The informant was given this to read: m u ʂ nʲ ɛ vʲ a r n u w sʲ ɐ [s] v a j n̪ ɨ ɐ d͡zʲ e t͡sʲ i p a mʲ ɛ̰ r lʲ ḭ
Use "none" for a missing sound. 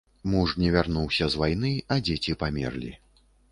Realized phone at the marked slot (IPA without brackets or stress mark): z